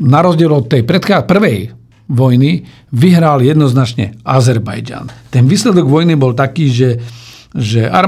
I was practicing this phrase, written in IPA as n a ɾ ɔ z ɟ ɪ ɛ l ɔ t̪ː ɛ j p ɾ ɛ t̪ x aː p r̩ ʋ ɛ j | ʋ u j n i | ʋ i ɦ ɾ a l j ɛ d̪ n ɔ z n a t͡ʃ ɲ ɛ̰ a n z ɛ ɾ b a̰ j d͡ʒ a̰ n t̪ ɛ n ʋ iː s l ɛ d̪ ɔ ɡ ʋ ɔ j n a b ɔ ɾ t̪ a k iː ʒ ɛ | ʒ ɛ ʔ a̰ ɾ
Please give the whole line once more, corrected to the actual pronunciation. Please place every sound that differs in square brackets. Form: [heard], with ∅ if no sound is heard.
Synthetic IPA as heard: n a ɾ ɔ z ɟ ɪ ɛ l ɔ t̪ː ɛ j p ɾ ɛ t̪ x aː p r̩ ʋ ɛ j | ʋ [ɔ] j n i | ʋ i ɦ ɾ a l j ɛ d̪ n ɔ z n a t͡ʃ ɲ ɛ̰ a [∅] z ɛ ɾ b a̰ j d͡ʒ a̰ n t̪ ɛ n ʋ iː s l ɛ d̪ ɔ ɡ ʋ ɔ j n [i] b ɔ [l] t̪ a k iː ʒ ɛ | ʒ ɛ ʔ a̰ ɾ